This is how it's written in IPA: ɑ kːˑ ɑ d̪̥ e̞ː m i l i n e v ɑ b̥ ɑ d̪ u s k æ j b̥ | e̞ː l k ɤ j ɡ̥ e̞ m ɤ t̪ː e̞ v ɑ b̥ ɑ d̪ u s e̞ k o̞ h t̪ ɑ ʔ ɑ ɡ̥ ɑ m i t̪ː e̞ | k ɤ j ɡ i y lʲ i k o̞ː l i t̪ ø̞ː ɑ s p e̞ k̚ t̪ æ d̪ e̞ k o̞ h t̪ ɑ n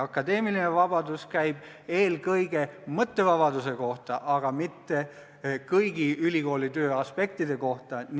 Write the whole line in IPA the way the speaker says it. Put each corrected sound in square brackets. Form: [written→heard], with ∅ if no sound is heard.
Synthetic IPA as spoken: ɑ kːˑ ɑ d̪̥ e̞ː m i l i n e v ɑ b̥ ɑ d̪ u s k æ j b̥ | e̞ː l k ɤ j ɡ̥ e̞ m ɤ t̪ː e̞ v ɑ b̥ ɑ d̪ u s e̞ k o̞ h t̪ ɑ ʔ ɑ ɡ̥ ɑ m i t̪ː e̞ | k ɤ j ɡ i y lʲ i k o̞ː l i t̪ ø̞ː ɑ s p e̞ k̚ t̪ [æ→i] d̪ e̞ k o̞ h t̪ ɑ n